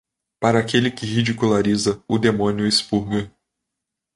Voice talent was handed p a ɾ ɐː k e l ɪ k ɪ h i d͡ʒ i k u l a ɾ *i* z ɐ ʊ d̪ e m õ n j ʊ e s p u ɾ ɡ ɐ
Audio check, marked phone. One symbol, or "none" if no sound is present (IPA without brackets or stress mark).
i